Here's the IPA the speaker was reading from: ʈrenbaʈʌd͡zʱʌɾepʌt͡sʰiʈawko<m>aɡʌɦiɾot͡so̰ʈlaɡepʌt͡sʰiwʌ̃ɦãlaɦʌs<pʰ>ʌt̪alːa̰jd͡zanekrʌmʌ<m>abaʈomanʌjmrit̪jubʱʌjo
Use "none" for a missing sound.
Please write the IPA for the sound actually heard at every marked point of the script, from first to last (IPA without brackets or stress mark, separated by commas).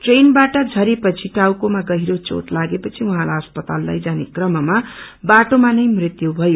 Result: m, p, m